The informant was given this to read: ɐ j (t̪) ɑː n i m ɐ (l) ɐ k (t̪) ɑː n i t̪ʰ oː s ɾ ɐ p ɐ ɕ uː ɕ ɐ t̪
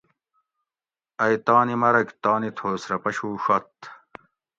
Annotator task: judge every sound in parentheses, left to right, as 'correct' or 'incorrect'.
correct, incorrect: ɾ, correct

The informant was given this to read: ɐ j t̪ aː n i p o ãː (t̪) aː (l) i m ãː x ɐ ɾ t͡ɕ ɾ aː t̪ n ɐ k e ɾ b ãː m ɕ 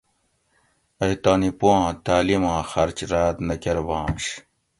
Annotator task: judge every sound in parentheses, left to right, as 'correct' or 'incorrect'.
correct, correct

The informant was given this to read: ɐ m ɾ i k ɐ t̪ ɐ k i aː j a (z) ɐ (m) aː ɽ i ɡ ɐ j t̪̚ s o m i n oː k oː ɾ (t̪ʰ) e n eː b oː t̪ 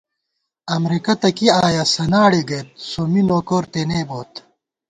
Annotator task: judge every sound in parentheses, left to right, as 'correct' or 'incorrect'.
incorrect: s, incorrect: n, incorrect: t̪

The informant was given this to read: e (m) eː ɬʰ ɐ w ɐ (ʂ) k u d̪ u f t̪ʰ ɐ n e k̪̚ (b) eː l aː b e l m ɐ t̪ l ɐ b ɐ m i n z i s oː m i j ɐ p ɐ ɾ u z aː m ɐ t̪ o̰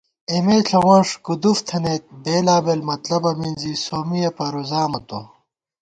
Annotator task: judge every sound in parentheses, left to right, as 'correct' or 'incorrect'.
correct, correct, correct

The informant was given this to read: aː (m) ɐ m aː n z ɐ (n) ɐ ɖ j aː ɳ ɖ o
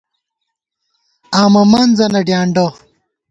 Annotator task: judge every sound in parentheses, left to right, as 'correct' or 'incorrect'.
correct, correct

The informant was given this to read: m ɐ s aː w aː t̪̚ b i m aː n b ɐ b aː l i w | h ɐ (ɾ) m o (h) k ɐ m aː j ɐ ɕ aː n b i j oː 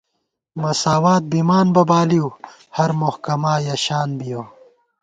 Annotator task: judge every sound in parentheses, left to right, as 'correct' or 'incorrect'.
correct, correct

